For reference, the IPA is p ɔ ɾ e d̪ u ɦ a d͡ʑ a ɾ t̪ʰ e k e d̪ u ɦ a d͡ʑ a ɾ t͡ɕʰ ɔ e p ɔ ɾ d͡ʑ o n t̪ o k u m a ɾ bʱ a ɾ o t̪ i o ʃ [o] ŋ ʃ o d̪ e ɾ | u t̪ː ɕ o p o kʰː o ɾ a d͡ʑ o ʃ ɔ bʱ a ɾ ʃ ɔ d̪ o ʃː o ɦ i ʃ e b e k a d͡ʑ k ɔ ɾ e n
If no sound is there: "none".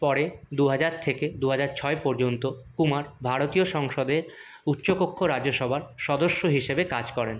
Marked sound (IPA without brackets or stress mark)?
ɔ